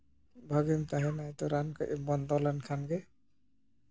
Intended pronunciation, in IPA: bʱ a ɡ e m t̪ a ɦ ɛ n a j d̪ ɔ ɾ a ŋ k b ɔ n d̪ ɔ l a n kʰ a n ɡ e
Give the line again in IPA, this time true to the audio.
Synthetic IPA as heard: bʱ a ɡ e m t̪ a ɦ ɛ n a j t̪ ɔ ɾ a n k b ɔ n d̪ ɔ l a n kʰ a n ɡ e